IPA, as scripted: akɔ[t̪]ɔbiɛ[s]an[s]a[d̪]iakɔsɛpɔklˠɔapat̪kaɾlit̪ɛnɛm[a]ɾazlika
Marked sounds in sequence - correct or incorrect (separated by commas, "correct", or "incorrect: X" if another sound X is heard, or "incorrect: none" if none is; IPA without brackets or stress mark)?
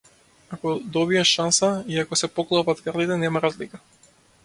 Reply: incorrect: d̪, incorrect: ʃ, correct, incorrect: none, correct